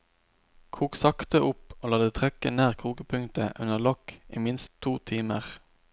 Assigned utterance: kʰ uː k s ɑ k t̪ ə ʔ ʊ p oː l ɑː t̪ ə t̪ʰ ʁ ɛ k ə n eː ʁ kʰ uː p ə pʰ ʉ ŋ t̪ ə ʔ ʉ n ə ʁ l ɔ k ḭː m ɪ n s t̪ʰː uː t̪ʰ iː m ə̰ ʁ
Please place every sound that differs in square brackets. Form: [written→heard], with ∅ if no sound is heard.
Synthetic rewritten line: kʰ uː k s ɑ k t̪ ə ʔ ʊ p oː l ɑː [t̪→d̪] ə t̪ʰ ʁ ɛ k ə n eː ʁ kʰ uː [p→k] ə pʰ ʉ ŋ t̪ ə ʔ ʉ n ə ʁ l ɔ k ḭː m ɪ n s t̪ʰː uː t̪ʰ iː m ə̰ ʁ

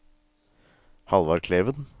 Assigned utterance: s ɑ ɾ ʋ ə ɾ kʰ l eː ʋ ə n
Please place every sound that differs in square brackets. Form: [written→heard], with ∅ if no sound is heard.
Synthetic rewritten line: [s→h] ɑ [ɾ→l] ʋ [ə→ɑ] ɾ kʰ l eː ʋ ə n

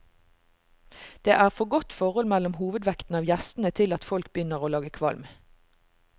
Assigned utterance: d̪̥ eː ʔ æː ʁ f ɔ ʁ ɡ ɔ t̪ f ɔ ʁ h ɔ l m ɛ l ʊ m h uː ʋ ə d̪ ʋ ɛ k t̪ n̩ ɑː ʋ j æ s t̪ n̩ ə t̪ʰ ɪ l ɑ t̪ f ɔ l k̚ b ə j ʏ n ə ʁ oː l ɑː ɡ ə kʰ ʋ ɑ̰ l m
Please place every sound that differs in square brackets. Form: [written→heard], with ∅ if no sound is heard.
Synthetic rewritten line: d̪̥ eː ʔ æː ʁ f ɔ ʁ ɡ ɔ t̪ f ɔ ʁ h ɔ l m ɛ l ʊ m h uː ʋ ə d̪ ʋ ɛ k t̪ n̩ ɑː ʋ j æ s t̪ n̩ ə t̪ʰ ɪ l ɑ t̪ f ɔ l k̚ b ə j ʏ n ə ʁ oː l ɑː ɡ ə kʰ ʋ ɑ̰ l m

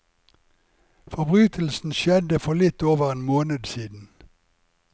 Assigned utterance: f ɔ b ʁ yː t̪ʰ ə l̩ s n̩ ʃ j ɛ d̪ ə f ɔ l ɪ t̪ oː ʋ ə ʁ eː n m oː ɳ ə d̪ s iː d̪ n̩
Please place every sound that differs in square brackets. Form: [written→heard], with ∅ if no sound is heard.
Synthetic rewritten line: f ɔ b ʁ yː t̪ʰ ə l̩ s n̩ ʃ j ɛ d̪ ə f ɔ l ɪ t̪ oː ʋ ə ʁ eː n m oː [ɳ→n] ə d̪ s iː d̪ n̩

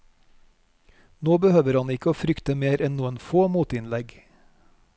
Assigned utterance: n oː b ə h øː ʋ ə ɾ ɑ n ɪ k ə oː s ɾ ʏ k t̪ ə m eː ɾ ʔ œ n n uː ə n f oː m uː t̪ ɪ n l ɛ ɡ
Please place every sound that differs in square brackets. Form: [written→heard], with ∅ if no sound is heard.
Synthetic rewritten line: n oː b ə h øː ʋ ə ɾ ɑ n ɪ k ə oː [s→f] ɾ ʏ k t̪ ə m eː ɾ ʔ [œ→ɛ] n n uː ə n f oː m uː t̪ ɪ n l ɛ ɡ

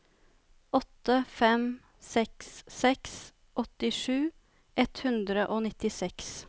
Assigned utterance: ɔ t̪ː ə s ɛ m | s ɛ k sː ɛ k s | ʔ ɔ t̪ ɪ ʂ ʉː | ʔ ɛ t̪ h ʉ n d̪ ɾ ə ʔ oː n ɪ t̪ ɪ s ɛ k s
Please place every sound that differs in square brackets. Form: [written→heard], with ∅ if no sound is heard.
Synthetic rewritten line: ɔ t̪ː ə [s→f] ɛ m | s ɛ k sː ɛ k s | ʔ ɔ t̪ ɪ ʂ ʉː | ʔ ɛ t̪ h ʉ n d̪ ɾ ə ʔ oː n ɪ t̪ ɪ s ɛ k s

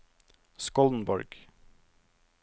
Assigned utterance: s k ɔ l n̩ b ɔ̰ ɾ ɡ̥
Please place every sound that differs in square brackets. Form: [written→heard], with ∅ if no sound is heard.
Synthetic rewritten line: s k ɔ l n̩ b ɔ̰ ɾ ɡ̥

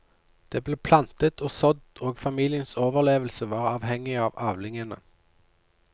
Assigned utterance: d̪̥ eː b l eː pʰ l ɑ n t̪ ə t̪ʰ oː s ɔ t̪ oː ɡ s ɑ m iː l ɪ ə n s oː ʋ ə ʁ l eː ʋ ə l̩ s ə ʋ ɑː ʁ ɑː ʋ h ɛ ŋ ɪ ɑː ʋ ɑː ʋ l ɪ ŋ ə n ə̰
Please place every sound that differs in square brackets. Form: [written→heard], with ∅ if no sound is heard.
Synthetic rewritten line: d̪̥ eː b l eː pʰ l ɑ n t̪ ə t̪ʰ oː s ɔ [t̪→d̪] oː ɡ [s→f] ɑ m iː l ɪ ə n s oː ʋ ə ʁ l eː ʋ ə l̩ s ə ʋ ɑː ʁ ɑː ʋ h ɛ ŋ ɪ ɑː ʋ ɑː ʋ l ɪ ŋ ə n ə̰

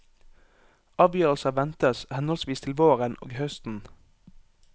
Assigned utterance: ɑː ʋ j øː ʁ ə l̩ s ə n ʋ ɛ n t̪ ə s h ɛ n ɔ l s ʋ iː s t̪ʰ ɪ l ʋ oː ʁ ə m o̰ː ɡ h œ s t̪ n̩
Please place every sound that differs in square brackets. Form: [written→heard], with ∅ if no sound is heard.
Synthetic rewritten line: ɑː ʋ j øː ʁ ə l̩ s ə [n→∅] ʋ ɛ n t̪ ə s h ɛ n ɔ l s ʋ iː s t̪ʰ ɪ l ʋ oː ʁ ə [m→n] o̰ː ɡ h œ s t̪ n̩

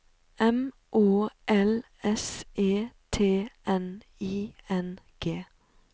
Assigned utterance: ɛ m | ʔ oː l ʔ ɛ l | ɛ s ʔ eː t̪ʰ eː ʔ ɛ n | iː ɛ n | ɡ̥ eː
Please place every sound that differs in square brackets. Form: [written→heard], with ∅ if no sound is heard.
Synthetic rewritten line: ɛ m | ʔ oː [l→∅] ʔ ɛ l | ɛ s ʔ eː t̪ʰ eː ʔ ɛ n | iː ɛ n | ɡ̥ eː

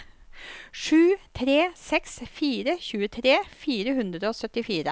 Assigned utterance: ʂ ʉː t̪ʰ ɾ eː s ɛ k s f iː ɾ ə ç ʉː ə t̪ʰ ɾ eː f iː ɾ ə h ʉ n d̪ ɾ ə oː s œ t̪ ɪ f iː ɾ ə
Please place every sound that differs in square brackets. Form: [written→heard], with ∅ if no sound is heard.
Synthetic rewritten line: ʂ ʉː t̪ʰ ɾ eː s ɛ k s f iː ɾ ə ç ʉː ə t̪ʰ ɾ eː f iː ɾ ə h ʉ n d̪ ɾ ə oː s œ t̪ ɪ f iː ɾ ə

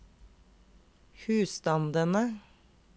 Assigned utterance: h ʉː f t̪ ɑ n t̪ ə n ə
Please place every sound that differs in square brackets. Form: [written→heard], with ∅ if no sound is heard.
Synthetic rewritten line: h ʉː [f→s] t̪ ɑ n [t̪→d̪] ə n ə

